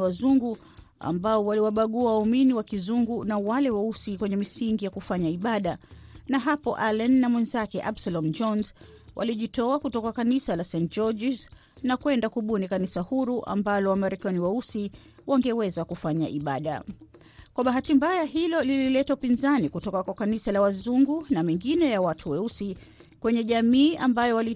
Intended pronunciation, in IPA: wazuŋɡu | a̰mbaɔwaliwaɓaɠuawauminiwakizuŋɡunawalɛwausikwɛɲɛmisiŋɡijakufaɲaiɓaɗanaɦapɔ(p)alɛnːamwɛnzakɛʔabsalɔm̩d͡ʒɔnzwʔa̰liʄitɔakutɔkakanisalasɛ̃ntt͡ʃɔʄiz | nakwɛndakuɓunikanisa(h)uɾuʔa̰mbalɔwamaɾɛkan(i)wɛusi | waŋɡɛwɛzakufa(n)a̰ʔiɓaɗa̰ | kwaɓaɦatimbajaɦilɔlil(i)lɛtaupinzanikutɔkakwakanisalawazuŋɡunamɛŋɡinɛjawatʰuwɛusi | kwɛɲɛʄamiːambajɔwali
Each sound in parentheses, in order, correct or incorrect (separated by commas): incorrect, correct, correct, incorrect, correct